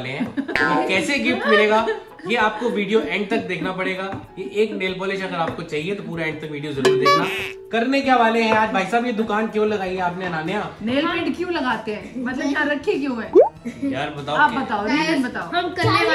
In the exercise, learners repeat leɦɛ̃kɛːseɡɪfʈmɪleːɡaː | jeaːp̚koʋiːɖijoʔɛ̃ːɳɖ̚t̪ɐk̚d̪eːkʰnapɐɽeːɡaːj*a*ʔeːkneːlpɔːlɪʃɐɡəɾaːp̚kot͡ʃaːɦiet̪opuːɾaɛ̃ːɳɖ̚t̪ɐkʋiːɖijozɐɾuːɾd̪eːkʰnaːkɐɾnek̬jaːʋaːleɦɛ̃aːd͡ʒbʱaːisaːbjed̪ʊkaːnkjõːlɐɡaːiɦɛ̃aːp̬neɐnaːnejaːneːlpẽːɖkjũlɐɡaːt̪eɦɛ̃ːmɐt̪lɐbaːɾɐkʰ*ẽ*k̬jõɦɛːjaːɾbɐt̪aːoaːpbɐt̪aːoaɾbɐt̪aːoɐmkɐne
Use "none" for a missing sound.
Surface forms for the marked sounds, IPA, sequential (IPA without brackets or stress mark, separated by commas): e, e